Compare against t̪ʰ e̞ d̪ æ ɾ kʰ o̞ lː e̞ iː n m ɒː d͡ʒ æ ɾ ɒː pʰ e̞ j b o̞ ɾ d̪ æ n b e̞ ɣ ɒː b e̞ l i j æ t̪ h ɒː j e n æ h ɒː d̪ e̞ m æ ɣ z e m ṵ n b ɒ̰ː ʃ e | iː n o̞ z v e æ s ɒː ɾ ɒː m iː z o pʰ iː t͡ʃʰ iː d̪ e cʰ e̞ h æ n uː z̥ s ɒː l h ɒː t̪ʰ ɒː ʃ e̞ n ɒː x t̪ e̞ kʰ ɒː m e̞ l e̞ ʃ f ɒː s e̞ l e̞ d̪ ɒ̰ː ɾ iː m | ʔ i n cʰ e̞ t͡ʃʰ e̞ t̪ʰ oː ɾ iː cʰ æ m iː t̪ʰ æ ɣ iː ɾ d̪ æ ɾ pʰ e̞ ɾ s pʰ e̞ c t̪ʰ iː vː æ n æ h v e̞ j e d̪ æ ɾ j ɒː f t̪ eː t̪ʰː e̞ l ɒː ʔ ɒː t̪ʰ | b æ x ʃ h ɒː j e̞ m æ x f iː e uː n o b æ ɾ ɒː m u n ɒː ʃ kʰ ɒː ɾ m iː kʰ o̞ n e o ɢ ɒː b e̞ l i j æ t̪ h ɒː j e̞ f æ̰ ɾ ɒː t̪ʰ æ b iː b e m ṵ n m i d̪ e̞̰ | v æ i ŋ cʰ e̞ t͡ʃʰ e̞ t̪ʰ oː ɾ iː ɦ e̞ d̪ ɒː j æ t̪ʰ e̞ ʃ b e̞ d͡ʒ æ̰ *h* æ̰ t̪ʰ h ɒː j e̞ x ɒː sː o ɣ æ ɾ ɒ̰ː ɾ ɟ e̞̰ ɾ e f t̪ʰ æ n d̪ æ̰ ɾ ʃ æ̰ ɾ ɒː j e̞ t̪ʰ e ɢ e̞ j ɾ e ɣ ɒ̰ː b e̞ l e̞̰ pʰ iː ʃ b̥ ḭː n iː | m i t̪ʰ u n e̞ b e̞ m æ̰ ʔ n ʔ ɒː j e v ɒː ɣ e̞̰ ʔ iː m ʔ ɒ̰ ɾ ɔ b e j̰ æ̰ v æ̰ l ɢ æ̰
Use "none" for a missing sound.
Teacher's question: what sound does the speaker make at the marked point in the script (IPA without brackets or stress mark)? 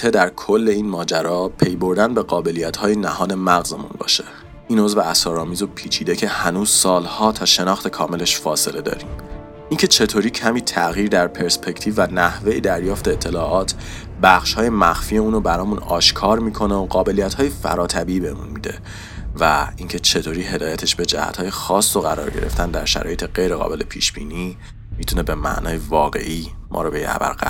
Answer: h